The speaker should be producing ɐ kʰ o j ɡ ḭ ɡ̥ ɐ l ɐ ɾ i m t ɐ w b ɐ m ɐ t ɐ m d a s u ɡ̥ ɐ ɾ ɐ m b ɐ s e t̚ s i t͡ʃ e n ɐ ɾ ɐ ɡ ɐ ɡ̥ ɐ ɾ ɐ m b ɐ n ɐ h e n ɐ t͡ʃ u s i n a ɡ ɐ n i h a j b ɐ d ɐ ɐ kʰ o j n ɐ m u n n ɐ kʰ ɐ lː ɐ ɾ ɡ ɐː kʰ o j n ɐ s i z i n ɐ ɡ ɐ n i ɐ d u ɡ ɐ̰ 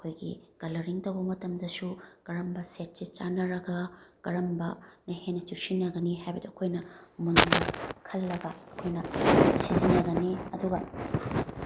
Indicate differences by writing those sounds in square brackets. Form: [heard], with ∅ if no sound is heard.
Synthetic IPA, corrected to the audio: ɐ kʰ o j ɡ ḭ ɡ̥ ɐ l ɐ ɾ i [ŋ] t ɐ w b ɐ m ɐ t ɐ m d [ɐ] s u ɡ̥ ɐ ɾ ɐ m b ɐ s e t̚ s i t͡ʃ [a] n ɐ ɾ ɐ ɡ ɐ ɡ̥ ɐ ɾ ɐ m b ɐ n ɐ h e n ɐ t͡ʃ u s i n [ɐ] ɡ ɐ n i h a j b ɐ d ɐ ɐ kʰ o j n ɐ m u n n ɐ kʰ ɐ lː ɐ [∅] ɡ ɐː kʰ o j n ɐ s i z i n ɐ ɡ ɐ n i ɐ d u ɡ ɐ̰

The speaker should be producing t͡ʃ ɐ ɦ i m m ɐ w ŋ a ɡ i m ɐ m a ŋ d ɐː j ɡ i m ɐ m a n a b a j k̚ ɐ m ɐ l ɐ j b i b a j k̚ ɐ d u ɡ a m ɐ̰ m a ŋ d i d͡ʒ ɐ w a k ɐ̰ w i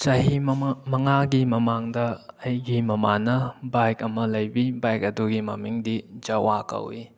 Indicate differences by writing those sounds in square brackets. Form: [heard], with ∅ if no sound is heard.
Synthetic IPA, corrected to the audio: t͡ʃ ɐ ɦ i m m ɐ [∅] ŋ a ɡ i m ɐ m a ŋ d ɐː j ɡ i m ɐ m a n [ɐ] b a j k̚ ɐ m ɐ l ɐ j b i b a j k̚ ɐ d u ɡ [i] m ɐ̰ m [i] ŋ d i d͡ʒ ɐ w a k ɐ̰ w i

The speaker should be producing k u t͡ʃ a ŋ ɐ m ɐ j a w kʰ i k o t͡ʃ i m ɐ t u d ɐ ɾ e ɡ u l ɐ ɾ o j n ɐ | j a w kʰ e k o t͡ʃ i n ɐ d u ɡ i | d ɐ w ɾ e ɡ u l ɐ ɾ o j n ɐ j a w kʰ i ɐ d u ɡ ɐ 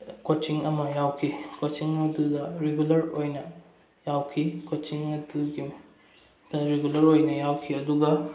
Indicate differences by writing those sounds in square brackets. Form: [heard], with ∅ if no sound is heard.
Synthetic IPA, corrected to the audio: k [o] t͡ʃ [i] ŋ ɐ m ɐ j a w kʰ i k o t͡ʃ i [ŋ] ɐ [d] u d ɐ ɾ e ɡ u l ɐ ɾ o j n ɐ | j a w kʰ [i] k o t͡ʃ i [ŋ] ɐ d u ɡ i | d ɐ [∅] ɾ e ɡ u l ɐ ɾ o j n ɐ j a w kʰ i ɐ d u ɡ ɐ

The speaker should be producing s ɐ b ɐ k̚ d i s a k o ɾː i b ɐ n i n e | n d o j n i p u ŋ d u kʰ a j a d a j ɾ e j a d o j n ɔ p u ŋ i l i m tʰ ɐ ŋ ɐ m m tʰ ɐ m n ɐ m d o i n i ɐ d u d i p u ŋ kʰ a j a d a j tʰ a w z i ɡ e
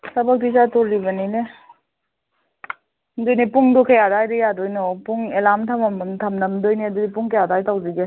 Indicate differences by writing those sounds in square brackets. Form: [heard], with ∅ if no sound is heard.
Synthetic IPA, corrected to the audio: s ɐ b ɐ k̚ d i s a [t] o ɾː i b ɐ n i n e | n d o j n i p u ŋ d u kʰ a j a d a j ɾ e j a d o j n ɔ p u ŋ [e] l [a] m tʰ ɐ [m] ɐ m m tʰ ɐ m n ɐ m d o [j] n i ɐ d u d i p u ŋ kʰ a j a d a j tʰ a w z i ɡ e

